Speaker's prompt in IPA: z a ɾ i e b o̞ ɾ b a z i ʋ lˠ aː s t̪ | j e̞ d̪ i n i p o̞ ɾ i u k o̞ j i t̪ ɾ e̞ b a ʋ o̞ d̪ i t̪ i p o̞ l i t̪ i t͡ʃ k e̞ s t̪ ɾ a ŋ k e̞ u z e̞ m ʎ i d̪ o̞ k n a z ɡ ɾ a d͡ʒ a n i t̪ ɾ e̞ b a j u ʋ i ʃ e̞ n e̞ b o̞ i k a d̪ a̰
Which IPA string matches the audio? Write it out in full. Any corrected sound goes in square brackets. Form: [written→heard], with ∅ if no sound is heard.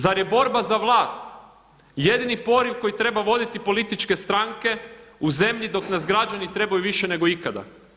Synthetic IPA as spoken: z a ɾ [i→j] e b o̞ ɾ b a z [i→a] ʋ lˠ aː s t̪ | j e̞ d̪ i n i p o̞ ɾ i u k o̞ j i t̪ ɾ e̞ b a ʋ o̞ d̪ i t̪ i p o̞ l i t̪ i t͡ʃ k e̞ s t̪ ɾ a ŋ k e̞ u z e̞ m ʎ i d̪ o̞ k n a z ɡ ɾ a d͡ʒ a n i t̪ ɾ e̞ b a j u ʋ i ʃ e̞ n e̞ [b→ɡ] o̞ i k a d̪ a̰